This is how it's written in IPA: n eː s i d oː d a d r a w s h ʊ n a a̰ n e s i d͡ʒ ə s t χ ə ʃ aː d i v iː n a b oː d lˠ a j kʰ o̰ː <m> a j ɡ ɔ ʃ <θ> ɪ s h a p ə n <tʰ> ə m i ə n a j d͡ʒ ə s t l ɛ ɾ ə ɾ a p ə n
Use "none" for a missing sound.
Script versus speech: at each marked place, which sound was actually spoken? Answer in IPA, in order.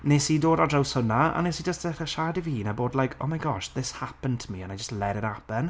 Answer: m, ð, tʰ

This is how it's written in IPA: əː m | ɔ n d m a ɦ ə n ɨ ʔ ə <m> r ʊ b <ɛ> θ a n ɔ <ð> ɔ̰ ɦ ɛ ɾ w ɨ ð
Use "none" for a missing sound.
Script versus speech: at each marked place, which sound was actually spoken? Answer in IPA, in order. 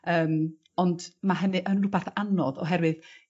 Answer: n, a, ð

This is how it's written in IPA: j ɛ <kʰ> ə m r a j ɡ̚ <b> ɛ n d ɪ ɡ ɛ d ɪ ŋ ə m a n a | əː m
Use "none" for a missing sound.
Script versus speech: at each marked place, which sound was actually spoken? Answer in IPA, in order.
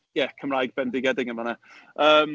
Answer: kʰ, b

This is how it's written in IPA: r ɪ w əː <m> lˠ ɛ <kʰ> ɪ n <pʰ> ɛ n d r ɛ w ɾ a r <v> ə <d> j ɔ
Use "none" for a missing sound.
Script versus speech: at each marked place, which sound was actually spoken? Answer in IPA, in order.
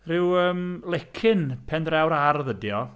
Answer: m, kʰ, pʰ, ð, d

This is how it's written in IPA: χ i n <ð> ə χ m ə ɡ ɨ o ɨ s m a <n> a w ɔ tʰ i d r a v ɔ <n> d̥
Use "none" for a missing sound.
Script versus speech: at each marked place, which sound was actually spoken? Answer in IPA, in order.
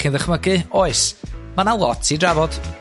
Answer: ð, n, none

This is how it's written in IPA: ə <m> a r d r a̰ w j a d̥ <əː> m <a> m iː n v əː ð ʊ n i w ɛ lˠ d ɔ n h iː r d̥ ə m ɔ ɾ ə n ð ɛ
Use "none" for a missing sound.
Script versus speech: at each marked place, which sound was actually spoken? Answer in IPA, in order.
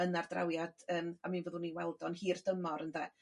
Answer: n, əː, a

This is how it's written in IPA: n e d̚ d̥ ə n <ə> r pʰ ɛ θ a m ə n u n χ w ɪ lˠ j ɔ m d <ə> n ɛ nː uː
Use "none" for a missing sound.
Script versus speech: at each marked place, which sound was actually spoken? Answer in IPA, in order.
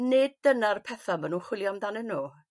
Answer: a, a

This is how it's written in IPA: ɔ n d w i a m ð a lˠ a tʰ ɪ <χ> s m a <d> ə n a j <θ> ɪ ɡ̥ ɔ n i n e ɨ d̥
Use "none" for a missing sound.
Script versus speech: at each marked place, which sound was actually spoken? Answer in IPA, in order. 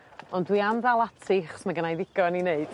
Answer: χ, ɡ, ð

